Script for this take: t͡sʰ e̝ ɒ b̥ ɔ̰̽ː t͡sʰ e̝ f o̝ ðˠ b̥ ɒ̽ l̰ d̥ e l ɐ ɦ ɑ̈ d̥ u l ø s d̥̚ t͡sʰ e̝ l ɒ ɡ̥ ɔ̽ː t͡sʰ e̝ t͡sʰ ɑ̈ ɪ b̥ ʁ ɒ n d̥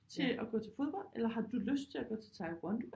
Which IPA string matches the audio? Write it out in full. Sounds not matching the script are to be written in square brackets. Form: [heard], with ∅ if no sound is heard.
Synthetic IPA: t͡sʰ e̝ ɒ [ɡ̥] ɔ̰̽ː t͡sʰ e̝ f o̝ ðˠ b̥ ɒ̽ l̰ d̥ e l ɐ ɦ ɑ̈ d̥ u l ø s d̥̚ t͡sʰ e̝ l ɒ ɡ̥ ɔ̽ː t͡sʰ e̝ t͡sʰ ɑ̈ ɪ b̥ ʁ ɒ n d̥